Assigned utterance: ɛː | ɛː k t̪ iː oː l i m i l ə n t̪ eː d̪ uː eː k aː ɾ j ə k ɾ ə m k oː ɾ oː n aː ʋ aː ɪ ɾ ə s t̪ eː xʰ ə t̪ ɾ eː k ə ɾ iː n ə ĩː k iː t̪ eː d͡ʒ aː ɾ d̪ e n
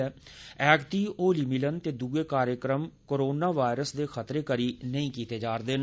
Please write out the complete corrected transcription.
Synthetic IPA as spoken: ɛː | ɛː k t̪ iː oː l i m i l ə n t̪ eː d̪ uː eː k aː ɾ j ə k ɾ ə m k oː ɾ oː n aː ʋ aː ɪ ɾ ə s d̪ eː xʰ ə t̪ ɾ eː k ə ɾ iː n ə ĩː k iː t̪ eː d͡ʒ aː ɾ d̪ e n

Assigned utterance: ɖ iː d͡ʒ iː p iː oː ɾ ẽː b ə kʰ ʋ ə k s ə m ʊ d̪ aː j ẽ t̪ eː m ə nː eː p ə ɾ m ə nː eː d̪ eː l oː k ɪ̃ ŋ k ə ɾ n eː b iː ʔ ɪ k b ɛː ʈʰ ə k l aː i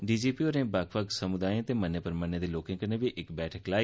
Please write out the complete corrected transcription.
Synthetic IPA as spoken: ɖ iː d͡ʒ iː p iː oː ɾ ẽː b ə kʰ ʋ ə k s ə m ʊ d̪ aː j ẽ t̪ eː m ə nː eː p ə ɾ m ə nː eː d̪ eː l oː k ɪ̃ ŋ k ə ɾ n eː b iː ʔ ɪ k b ɛː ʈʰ ə k l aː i

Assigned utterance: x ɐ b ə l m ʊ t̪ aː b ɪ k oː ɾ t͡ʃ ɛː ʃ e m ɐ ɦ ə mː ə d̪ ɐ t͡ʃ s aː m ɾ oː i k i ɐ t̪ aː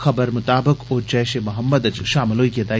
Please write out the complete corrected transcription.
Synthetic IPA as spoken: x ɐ b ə ɾ m ʊ t̪ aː b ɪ k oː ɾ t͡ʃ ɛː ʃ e m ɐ ɦ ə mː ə d̪ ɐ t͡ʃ ʃ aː m l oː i k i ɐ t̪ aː

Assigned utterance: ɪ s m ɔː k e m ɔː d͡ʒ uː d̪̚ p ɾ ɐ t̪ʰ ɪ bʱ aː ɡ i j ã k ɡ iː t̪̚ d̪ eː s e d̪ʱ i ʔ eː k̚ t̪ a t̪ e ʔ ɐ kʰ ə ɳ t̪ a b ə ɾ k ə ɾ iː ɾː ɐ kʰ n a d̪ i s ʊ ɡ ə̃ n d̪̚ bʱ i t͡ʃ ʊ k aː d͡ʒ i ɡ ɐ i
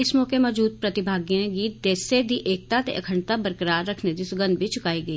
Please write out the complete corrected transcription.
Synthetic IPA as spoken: ɪ s m ɔː k e m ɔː d͡ʒ uː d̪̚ p ɾ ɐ t̪ ɪ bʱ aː ɡ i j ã ɡ iː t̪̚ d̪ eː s e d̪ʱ i ʔ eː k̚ t̪ a t̪ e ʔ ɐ kʰ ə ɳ t̪ a b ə ɾ k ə ɾ aː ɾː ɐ kʰ n e d̪ i s ʊ ɡ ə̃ n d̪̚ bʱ i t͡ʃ ʊ k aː i ɡ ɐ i

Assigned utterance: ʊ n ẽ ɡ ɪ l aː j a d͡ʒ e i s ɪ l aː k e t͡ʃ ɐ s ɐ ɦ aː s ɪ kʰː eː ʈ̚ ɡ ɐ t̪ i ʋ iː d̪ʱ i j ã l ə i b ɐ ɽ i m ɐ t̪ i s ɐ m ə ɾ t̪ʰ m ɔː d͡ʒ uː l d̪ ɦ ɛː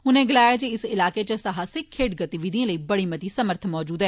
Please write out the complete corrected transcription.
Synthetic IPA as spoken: ʊ n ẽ ɡ ɪ l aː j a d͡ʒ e ɪ s ɪ l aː k e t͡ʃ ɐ s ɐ ɦ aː s ɪ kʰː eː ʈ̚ ɡ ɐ t̪ i ʋ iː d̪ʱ i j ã l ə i b ɐ ɽ i m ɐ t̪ i s ɐ m ə ɾ t̪ʰ m ɔː d͡ʒ uː d̪ ɦ ɛː

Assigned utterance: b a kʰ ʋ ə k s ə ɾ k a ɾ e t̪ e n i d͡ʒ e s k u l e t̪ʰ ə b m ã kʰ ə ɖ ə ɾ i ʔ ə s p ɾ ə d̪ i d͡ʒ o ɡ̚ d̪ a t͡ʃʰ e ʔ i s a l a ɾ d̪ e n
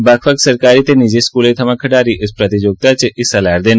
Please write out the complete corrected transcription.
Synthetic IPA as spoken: b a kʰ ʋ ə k s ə ɾ k a ɾ i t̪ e n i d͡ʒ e s k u l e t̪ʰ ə m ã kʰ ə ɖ a ɾ i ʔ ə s p ɾ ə t̪ i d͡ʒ o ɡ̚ t̪ a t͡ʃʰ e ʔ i s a l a ɾ d̪ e n

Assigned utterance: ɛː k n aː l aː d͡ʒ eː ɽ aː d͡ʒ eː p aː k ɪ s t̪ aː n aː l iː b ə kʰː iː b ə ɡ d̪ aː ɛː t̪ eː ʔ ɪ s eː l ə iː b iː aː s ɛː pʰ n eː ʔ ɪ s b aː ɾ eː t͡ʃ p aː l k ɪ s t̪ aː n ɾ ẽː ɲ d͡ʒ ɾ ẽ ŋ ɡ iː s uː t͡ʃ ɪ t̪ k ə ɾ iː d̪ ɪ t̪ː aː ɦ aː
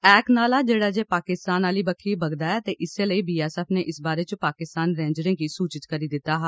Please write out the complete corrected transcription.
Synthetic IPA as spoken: ɛː k n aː l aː d͡ʒ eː ɽ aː d͡ʒ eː p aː k ɪ s t̪ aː n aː l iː b ə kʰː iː b ə ɡ d̪ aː ɛː t̪ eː ʔ ɪ s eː l ə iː b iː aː s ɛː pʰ n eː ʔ ɪ s b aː ɾ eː t͡ʃ p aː k ɪ s t̪ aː n ɾ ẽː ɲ d͡ʒ ɾ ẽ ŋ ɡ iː s uː t͡ʃ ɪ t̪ k ə ɾ iː d̪ ɪ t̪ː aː ɦ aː

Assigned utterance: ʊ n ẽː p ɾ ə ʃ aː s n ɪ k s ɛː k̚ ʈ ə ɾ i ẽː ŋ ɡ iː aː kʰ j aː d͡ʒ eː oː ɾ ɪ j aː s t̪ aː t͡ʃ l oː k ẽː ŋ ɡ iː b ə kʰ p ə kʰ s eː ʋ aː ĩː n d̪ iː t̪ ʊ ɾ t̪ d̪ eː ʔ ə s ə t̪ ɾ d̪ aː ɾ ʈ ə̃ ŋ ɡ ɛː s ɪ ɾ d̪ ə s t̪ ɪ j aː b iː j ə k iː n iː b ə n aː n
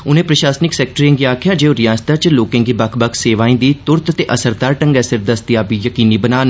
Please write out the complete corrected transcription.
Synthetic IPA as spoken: ʊ n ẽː p ɾ ə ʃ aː s n ɪ k s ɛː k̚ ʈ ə ɾ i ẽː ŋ ɡ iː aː kʰ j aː d͡ʒ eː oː ɾ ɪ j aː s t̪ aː t͡ʃ l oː k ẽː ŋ ɡ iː b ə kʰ b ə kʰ s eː ʋ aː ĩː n d̪ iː t̪ ʊ ɾ t̪ t̪ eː ʔ ə s ə ɾ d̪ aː ɾ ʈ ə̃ ŋ ɡ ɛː s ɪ ɾ d̪ ə s t̪ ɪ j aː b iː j ə k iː n iː b ə n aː n

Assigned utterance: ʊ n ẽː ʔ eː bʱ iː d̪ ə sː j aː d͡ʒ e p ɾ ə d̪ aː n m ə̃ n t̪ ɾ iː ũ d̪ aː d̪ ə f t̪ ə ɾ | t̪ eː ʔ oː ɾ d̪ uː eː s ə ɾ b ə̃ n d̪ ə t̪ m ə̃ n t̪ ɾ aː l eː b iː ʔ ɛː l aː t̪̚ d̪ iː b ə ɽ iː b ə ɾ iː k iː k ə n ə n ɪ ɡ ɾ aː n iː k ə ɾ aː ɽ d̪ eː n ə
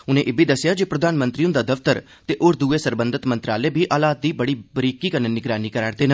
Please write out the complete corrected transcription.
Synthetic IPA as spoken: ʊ n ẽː ʔ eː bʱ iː d̪ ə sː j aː d͡ʒ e p ɾ ə d̪ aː n m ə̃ n t̪ ɾ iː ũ d̪ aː d̪ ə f t̪ ə ɾ | t̪ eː ʔ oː ɾ d̪ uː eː s ə ɾ b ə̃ n d̪ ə t̪ m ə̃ n t̪ ɾ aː l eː b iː ʔ aː l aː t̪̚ d̪ iː b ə ɽ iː b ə ɾ iː k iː k ə n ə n ɪ ɡ ɾ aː n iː k ə ɾ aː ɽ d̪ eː n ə

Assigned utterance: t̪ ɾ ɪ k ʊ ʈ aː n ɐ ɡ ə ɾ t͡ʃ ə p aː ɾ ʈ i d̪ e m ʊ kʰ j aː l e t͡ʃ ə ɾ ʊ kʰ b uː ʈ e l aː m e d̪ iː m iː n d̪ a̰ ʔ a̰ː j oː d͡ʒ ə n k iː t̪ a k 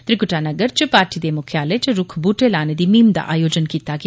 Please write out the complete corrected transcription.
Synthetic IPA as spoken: t̪ ɾ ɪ k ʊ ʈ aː n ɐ ɡ ə ɾ t͡ʃ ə p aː ɾ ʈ i d̪ e m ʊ kʰ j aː l e t͡ʃ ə ɾ ʊ kʰ b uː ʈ e l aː n e d̪ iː m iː m d̪ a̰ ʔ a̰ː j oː d͡ʒ ə n k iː t̪ a k

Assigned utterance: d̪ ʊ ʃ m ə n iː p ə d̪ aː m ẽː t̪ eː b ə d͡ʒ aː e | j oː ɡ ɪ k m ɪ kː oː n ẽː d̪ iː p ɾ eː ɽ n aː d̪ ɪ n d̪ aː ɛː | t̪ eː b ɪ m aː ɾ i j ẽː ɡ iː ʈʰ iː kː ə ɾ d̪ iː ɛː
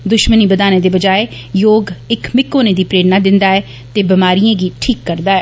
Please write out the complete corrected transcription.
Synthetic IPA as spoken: d̪ ʊ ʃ m ə n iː b ə d̪ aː n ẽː d̪ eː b ə d͡ʒ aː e | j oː ɡ ɪ k m ɪ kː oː n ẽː d̪ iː p ɾ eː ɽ n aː d̪ ɪ n d̪ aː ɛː | t̪ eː b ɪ m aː ɾ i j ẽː ɡ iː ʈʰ iː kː ə ɾ d̪ aː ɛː

